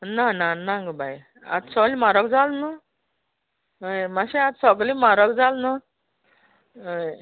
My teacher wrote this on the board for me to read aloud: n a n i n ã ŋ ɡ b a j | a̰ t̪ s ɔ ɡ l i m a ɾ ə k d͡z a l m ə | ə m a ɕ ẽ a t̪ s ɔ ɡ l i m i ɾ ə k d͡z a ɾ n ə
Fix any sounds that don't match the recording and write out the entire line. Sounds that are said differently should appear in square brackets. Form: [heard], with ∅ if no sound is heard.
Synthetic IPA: n a n [a] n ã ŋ ɡ b a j | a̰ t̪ s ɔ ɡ l i m a ɾ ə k d͡z a l [n] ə | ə m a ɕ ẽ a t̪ s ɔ ɡ l i m [a] ɾ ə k d͡z a [l] n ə